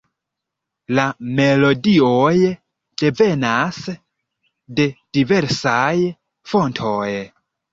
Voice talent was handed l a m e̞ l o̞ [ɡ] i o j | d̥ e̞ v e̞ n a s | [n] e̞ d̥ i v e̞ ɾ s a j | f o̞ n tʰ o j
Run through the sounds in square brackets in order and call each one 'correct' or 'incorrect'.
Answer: incorrect: d, incorrect: d

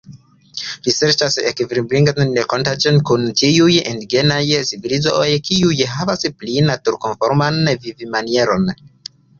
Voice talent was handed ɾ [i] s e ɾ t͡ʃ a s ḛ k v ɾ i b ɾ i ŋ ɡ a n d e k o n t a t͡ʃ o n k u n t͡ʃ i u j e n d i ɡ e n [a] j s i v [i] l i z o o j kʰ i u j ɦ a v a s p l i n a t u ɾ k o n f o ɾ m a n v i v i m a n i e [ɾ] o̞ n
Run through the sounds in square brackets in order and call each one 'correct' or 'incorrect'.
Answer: correct, correct, correct, correct

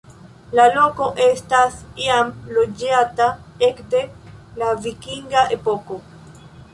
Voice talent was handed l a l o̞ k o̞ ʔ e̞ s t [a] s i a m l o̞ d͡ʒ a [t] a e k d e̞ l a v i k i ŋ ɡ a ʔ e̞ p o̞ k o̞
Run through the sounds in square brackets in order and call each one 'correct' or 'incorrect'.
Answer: correct, correct

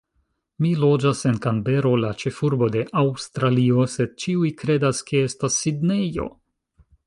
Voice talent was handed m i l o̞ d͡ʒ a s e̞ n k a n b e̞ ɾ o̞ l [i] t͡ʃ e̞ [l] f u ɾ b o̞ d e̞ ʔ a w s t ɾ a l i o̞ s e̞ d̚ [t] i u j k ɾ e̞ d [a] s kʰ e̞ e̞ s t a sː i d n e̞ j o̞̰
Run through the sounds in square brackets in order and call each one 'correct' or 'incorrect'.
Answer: incorrect: a, incorrect: none, incorrect: t͡ʃ, correct

